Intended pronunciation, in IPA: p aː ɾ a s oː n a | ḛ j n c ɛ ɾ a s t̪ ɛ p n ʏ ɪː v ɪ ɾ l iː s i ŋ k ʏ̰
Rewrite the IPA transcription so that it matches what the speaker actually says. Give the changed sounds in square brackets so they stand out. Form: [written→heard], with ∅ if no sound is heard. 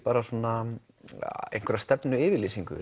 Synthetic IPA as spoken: p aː ɾ a s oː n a | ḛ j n [c→k] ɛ ɾ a s t̪ ɛ p n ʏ ɪː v ɪ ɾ l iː s i ŋ k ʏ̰